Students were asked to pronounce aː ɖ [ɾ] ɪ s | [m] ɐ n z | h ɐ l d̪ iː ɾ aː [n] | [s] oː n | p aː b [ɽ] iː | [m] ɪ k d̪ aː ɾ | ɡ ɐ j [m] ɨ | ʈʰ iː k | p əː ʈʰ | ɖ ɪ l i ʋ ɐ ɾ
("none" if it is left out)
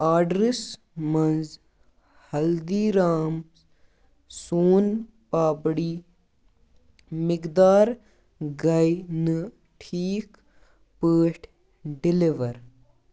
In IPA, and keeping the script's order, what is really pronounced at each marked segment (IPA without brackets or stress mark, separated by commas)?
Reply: ɾ, m, m, s, ɽ, m, n